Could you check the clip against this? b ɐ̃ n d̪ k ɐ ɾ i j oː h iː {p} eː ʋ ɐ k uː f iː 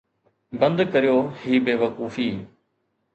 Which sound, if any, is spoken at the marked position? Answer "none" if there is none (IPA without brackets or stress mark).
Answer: b